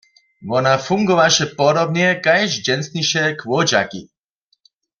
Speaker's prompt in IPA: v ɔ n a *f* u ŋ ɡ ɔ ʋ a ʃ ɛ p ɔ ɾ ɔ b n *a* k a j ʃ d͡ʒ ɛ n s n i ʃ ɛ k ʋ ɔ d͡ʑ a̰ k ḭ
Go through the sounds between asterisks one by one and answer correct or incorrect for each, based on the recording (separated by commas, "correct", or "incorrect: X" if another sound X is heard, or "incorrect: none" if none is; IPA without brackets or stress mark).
correct, incorrect: ɛ